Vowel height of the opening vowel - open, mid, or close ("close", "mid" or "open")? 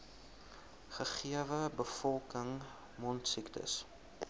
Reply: mid